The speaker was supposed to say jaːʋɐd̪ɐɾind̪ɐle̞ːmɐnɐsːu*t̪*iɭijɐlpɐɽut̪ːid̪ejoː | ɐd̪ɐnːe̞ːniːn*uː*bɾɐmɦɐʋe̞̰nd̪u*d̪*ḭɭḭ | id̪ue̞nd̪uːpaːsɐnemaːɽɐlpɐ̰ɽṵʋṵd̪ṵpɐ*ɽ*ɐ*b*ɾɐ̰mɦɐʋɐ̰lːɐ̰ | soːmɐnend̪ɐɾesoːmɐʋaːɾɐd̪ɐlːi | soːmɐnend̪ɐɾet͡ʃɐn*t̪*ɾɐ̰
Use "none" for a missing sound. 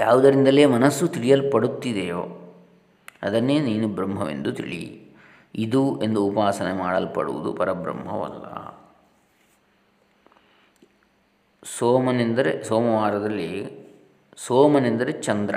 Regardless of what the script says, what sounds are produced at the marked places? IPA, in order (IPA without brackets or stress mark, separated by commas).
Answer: t̪, u, t̪, ɾ, b, d̪